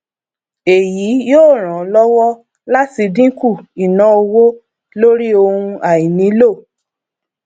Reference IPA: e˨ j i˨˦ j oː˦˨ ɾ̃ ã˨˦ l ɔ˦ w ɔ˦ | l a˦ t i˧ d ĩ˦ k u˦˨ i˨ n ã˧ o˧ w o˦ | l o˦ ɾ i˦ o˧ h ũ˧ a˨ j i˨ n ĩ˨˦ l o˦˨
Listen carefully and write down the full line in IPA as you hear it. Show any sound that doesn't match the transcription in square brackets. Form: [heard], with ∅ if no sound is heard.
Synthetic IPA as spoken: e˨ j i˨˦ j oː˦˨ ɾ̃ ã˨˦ l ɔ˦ w ɔ˦ | l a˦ t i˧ d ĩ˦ k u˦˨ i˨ n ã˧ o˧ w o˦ | l o˦ ɾ i˦ o˧ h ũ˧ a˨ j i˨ n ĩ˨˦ l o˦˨